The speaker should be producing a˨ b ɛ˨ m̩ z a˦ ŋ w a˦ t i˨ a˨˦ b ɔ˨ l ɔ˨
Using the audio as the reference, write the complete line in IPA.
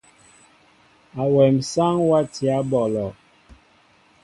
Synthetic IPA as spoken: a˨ w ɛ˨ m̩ s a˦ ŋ w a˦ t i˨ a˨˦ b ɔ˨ l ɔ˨

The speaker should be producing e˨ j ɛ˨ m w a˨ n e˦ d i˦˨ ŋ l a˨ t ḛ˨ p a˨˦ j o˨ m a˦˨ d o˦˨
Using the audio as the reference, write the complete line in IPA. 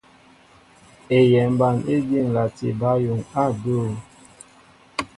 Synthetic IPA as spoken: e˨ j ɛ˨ m b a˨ n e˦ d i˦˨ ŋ l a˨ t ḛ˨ b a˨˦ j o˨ ŋ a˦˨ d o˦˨

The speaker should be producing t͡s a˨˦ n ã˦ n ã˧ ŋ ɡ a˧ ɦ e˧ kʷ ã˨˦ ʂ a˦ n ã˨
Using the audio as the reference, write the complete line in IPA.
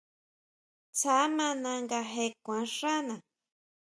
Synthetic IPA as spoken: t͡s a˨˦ m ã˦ n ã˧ ŋ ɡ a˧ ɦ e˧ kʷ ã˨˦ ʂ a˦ n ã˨

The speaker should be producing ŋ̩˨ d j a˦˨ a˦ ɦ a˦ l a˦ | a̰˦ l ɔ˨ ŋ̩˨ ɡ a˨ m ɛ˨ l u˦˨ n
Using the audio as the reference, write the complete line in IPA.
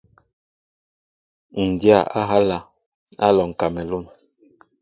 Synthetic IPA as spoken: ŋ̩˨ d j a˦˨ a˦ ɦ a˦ l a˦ | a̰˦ l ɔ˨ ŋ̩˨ k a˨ m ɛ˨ l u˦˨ n

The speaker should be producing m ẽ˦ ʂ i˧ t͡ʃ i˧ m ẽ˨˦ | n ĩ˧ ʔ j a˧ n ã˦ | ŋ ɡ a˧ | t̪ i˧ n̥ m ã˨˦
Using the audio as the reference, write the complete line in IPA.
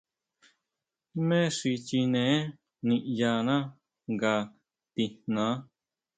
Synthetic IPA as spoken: m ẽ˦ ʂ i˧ t͡ʃ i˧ n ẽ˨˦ | n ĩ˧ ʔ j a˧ n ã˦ | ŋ ɡ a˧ | t̪ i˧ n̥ n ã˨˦

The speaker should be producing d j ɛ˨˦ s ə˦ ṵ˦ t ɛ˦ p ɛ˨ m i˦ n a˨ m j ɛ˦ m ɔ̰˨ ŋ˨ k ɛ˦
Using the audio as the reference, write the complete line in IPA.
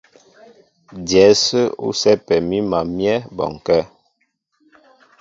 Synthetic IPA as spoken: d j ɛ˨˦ s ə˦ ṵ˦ s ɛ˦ p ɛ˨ m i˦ m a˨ m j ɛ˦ b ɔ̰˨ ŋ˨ k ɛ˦

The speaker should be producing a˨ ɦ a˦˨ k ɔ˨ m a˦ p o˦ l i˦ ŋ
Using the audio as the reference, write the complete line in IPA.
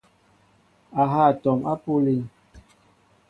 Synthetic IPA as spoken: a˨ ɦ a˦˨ t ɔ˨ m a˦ p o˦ l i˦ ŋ

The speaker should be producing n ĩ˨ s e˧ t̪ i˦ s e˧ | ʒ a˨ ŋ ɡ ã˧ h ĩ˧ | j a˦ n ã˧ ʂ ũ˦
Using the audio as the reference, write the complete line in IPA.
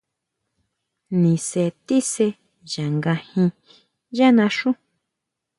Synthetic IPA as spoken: n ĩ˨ s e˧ t̪ i˦ s e˧ | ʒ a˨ ŋ ɡ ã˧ h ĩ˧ | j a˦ n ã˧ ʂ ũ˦

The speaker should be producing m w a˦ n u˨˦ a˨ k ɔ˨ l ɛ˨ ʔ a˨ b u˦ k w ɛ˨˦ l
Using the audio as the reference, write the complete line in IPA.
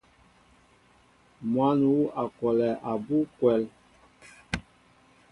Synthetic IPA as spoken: m w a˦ n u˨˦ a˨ k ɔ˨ l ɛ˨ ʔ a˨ b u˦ k w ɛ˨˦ l

